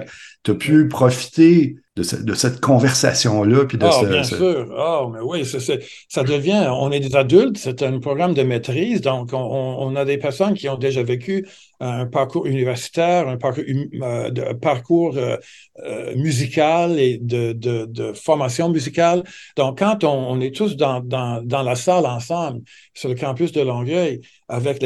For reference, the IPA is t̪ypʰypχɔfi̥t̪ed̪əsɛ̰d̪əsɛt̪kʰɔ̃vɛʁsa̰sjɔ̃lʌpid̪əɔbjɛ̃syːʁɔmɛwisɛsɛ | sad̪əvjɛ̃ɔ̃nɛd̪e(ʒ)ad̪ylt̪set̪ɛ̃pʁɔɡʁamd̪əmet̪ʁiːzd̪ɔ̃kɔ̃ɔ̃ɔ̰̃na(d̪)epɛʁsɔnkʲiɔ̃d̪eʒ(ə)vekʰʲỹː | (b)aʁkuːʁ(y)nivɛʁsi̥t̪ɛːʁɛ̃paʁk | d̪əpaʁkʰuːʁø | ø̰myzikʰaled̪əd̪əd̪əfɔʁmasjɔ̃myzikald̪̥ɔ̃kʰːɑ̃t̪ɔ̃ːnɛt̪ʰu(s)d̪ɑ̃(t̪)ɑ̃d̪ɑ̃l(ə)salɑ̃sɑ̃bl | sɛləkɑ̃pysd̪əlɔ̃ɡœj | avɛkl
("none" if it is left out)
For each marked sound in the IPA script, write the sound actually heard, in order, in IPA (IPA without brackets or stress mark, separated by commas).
z, d̪, a, p, y, s, d̪, a